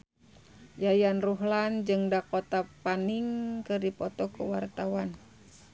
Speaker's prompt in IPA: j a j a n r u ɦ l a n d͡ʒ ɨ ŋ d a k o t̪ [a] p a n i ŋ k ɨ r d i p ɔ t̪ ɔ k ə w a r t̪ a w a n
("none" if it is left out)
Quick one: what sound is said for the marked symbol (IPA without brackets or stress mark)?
a